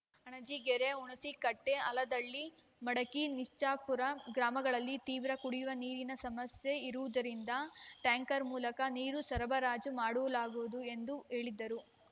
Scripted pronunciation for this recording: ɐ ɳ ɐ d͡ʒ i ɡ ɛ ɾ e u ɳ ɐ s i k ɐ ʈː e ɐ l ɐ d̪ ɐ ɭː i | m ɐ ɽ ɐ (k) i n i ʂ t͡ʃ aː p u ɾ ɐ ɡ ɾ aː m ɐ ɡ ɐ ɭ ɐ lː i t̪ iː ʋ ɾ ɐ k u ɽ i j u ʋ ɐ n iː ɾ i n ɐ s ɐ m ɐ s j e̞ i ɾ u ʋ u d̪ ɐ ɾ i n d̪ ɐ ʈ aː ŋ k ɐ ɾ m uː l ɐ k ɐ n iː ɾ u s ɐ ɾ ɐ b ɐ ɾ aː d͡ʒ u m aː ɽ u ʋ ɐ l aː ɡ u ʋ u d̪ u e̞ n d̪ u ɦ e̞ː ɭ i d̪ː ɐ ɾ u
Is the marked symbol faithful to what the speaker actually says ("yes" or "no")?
yes